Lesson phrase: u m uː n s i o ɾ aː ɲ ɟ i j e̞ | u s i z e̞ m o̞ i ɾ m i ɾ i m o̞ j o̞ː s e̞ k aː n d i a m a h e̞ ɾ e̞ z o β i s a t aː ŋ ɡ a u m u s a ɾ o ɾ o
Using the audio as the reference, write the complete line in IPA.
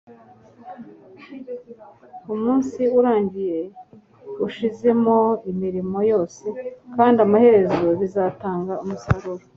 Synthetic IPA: u m uː n s i u ɾ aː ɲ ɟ i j e̞ | u ʃ i z e̞ m o̞ i m i ɾ i m o̞ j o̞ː s e̞ k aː n d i a m a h e̞ ɾ e̞ z o β i z a t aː ŋ ɡ a u m u s a ɾ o ɾ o